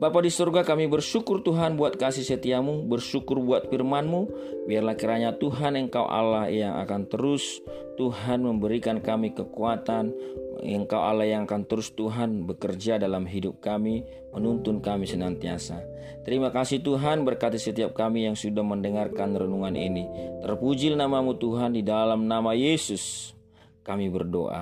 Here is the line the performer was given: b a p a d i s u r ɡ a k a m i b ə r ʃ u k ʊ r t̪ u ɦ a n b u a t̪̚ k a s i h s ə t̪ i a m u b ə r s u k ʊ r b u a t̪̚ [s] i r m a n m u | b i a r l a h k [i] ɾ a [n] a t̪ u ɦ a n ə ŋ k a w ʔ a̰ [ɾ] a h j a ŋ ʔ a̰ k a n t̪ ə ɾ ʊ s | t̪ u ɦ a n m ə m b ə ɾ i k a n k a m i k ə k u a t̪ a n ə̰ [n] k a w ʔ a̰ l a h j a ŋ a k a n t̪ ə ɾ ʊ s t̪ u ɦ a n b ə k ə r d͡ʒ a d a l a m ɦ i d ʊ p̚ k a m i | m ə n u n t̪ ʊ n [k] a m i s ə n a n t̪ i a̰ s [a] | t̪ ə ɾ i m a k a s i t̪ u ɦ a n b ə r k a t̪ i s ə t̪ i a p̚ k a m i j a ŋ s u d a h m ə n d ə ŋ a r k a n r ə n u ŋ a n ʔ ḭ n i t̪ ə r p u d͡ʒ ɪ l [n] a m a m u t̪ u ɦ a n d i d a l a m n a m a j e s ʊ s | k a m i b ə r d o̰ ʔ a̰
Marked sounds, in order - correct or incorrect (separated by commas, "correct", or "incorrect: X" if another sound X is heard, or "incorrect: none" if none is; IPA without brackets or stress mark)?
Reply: incorrect: f, correct, incorrect: ɲ, incorrect: l, incorrect: ŋ, correct, correct, correct